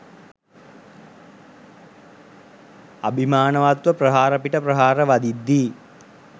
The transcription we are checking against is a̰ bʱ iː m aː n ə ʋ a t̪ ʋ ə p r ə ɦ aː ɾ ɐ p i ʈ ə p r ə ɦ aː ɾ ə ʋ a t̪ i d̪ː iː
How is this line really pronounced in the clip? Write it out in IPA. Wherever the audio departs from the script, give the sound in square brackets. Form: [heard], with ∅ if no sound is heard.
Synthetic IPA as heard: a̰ bʱ [i] m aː n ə ʋ a t̪ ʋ ə p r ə ɦ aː ɾ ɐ p i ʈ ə p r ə ɦ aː ɾ ə ʋ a [d̪] i d̪ː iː

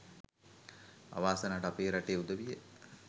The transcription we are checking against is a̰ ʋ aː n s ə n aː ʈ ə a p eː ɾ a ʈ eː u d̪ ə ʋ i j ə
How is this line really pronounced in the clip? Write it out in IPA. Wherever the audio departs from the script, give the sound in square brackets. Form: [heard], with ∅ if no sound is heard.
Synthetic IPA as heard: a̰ ʋ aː [∅] s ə n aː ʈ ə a p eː ɾ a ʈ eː u d̪ ə ʋ i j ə

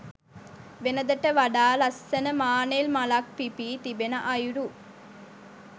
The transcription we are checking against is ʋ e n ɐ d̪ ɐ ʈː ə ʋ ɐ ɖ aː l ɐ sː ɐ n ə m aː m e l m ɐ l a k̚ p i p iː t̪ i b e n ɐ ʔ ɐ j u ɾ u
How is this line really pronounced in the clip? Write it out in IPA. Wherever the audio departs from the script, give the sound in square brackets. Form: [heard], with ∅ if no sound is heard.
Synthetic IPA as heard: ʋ e n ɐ d̪ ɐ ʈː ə ʋ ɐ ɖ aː l ɐ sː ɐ n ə m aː [n] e l m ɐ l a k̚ p i p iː t̪ i b e n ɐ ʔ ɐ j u ɾ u

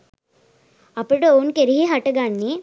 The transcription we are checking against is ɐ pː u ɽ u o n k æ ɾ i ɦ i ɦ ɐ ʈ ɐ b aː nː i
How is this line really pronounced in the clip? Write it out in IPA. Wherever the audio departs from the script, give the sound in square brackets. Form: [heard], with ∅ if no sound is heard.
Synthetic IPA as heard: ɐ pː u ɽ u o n k [e] ɾ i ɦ i ɦ ɐ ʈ ɐ [ɡ] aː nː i

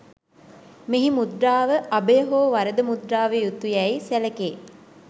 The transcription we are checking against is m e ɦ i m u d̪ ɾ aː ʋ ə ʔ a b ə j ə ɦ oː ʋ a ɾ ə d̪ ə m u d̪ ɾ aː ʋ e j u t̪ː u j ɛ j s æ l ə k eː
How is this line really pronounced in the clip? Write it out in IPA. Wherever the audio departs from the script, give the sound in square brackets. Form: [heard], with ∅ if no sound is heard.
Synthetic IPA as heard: m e ɦ i m u d̪ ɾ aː ʋ ə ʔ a b ə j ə ɦ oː ʋ a ɾ ə d̪ ə m u d̪ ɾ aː ʋ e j u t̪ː u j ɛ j s æ l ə k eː

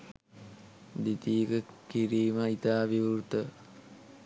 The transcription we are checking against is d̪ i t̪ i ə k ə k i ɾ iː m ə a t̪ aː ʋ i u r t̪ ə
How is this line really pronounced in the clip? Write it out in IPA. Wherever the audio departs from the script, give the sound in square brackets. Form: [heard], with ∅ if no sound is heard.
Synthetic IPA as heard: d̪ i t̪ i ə k ə k i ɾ iː m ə [i] t̪ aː ʋ i u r t̪ ə

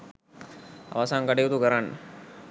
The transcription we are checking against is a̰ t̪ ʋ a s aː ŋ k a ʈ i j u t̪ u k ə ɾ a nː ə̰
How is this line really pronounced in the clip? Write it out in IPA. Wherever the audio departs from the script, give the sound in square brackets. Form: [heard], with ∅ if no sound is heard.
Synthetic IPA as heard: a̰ [∅] ʋ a s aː ŋ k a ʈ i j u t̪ u k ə ɾ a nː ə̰

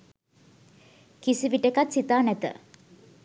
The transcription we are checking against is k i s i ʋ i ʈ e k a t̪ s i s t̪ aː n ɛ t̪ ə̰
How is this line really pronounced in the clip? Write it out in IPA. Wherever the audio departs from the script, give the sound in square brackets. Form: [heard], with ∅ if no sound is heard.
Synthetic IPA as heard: k i s i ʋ i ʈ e k a t̪ s i [∅] t̪ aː n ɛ t̪ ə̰

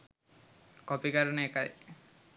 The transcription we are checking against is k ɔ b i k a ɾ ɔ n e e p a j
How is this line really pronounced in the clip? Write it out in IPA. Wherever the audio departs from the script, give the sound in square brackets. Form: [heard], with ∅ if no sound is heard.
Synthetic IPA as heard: k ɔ [p] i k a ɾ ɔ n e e [k] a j

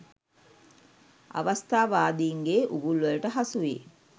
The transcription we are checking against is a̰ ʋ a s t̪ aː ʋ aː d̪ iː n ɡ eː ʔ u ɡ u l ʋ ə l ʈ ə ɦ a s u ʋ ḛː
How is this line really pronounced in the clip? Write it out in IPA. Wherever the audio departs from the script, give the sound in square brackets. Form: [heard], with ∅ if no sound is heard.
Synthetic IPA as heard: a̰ ʋ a s t̪ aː ʋ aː d̪ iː [ŋ] ɡ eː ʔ u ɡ u l ʋ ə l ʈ ə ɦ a s u ʋ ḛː

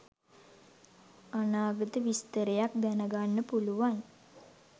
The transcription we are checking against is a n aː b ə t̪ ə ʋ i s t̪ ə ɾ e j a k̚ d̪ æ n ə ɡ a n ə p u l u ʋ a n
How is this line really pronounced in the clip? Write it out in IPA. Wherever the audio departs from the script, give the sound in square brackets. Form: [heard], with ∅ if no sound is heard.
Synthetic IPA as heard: a n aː [ɡ] ə t̪ ə ʋ i s t̪ ə ɾ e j a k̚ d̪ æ n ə ɡ a [nː] ə p u l u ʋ a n

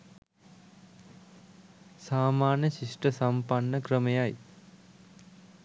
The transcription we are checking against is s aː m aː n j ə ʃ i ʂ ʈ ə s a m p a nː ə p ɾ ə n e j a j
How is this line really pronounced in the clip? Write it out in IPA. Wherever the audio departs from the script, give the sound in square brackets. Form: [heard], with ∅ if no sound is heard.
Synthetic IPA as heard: s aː m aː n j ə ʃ i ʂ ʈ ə s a m p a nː ə [k] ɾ ə [m] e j a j

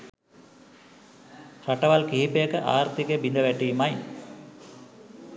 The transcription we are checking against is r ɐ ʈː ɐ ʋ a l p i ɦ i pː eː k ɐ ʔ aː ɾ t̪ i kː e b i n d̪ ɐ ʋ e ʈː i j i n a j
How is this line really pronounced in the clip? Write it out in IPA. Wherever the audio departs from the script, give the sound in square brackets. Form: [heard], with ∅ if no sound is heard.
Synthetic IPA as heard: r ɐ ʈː ɐ ʋ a l [k] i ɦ i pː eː k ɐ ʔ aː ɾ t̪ i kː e b i n d̪ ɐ ʋ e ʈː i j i [m] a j

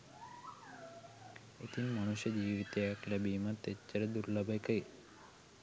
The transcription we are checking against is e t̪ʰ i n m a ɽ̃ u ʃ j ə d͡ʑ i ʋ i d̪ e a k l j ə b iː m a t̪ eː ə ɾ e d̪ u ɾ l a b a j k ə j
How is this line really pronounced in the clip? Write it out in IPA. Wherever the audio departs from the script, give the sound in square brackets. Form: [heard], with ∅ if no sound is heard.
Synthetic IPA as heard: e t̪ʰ i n m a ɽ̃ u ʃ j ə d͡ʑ i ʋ i [t̪] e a k l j [a] b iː m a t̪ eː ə ɾ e d̪ u ɾ l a b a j k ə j

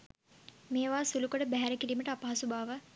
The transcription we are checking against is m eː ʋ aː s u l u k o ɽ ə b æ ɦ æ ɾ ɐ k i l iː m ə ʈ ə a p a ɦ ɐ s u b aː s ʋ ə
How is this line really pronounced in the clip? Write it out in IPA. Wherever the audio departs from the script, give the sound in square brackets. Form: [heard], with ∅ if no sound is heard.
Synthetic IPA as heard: m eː ʋ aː s u l u k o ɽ ə b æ ɦ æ ɾ [ə] k i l iː m ə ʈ ə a p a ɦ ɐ s u b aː [∅] ʋ ə

